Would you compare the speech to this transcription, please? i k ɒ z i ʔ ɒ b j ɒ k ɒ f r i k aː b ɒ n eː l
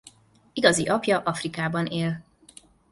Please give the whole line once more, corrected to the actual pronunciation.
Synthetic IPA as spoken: i ɡ ɒ z i ʔ ɒ p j ɒ ʔ ɒ f r i k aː b ɒ n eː l